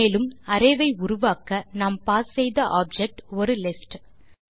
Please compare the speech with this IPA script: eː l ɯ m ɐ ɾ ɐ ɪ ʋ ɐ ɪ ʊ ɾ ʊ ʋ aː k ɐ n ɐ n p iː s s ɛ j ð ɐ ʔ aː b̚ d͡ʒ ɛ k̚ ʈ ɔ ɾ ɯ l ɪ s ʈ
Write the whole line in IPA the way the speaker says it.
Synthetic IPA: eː l ɯ m ɐ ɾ ɐ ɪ ʋ ɐ ɪ ʊ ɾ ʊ ʋ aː k ɐ n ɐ m p aː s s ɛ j ð ɐ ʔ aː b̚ d͡ʒ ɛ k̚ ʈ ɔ ɾ ɯ l ɪ s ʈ

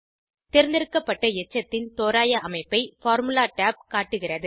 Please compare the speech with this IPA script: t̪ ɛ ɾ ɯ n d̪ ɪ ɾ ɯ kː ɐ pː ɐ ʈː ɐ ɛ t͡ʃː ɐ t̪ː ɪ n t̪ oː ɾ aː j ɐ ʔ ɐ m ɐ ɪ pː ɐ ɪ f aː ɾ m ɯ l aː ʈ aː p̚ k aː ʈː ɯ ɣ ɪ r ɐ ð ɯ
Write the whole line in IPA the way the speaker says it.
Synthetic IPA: t̪ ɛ ɾ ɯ n d̪ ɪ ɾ ɯ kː ɐ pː ɐ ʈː ɐ ɛ t͡ʃː ɐ t̪ː ɪ n t̪ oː ɾ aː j ɐ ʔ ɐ m ɐ ɪ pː ɐ ɪ f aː ɾ m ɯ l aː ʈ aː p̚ k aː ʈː ɯ ɣ ɪ r ɐ ð ɯ

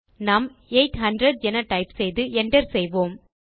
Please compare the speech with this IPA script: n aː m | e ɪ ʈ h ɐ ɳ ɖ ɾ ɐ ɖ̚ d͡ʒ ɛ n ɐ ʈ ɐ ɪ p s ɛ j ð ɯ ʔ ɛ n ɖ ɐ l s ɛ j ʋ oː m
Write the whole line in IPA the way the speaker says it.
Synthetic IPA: n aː m | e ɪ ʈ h ɐ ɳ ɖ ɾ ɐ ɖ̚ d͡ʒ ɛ n ɐ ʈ ɐ ɪ p s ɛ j ð ɯ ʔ ɛ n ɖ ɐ ɾ s ɛ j ʋ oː m

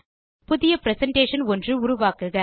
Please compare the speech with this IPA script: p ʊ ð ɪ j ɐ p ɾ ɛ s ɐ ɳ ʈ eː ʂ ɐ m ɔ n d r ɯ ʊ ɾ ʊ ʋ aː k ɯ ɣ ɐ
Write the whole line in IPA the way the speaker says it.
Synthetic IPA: p ʊ ð ɪ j ɐ p ɾ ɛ s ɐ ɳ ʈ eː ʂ ɐ n ɔ n d r ɯ ʊ ɾ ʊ ʋ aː k ɯ ɣ ɐ

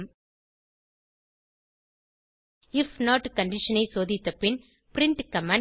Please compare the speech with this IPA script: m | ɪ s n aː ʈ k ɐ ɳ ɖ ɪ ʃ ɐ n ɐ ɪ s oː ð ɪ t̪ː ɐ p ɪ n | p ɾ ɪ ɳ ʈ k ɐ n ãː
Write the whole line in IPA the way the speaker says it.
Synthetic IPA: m | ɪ f n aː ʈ k ɐ ɳ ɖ ɪ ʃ ɐ n ɐ ɪ s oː ð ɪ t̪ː ɐ p ɪ n | p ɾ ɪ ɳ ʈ k ɐ m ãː

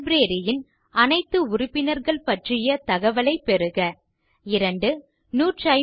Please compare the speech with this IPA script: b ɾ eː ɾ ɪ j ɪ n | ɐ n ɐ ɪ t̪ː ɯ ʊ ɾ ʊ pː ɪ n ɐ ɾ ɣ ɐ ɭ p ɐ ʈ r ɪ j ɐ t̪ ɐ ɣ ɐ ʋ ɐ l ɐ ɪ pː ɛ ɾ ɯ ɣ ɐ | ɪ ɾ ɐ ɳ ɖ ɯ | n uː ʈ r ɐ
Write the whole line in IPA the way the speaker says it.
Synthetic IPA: b ɾ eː ɾ ɪ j ɪ n | ɐ n ɐ ɪ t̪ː ɯ ʊ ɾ ʊ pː ɪ n ɐ ɾ ɣ ɐ ɭ p ɐ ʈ r ɪ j ɐ t̪ ɐ ɣ ɐ ʋ ɐ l ɐ ɪ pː ɛ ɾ ɯ ɣ ɐ | ɪ ɾ ɐ ɳ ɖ ɯ | n uː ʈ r ɐ

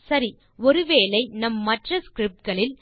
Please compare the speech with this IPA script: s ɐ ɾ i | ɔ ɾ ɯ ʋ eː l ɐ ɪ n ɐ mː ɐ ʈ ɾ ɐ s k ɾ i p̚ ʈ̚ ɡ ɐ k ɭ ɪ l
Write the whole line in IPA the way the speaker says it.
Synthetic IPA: s ɐ ɾ i | ɔ ɾ ɯ ʋ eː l ɐ ɪ n ɐ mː ɐ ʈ r ɐ s k ɾ ɪ p̚ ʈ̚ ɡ ɐ ɭ ɪ l

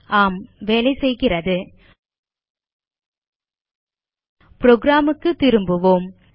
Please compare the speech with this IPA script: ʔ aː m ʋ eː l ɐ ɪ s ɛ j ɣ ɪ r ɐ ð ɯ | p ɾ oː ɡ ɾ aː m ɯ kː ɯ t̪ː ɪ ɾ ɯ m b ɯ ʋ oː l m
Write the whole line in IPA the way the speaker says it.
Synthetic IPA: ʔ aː m ʋ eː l ɐ ɪ s ɛ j ɣ ɪ r ɐ ð ɯ | p ɾ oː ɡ ɾ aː m ɯ kː ɯ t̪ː ɪ ɾ ɯ m b ɯ ʋ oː m

